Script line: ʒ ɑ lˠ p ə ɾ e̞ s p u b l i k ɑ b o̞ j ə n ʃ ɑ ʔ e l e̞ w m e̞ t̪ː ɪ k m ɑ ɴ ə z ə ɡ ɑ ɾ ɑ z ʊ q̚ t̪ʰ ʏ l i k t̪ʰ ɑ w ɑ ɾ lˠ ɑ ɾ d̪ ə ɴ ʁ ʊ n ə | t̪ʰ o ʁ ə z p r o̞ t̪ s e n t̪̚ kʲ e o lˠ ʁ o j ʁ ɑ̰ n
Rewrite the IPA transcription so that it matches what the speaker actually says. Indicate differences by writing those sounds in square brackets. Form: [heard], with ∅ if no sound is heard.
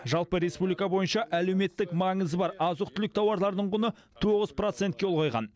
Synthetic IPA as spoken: ʒ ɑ lˠ p ə ɾ e̞ s p u b l i k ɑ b o̞ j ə n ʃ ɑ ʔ [æ] l e̞ w m e̞ t̪ː ɪ k m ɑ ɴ ə z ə [b] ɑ ɾ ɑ z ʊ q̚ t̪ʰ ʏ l [ɪ] k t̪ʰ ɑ w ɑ ɾ lˠ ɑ ɾ d̪ ə ɴ ʁ ʊ n ə | t̪ʰ o ʁ ə z p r o̞ t̪ s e n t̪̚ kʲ e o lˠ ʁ o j ʁ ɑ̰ n